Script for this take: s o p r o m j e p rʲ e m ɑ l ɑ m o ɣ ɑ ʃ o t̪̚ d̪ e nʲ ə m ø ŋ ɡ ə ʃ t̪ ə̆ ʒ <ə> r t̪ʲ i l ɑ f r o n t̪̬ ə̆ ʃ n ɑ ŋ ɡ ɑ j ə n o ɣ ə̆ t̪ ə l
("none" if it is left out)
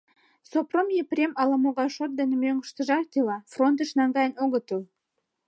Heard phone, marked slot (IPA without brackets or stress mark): ɑ